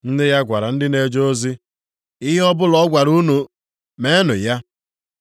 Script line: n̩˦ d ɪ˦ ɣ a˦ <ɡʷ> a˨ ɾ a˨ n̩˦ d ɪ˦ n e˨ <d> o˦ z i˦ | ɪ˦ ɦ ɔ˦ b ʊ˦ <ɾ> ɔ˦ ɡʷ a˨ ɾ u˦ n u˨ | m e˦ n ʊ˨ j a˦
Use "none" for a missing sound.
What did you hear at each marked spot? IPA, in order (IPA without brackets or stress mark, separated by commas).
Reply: ɡʷ, d͡ʒ, l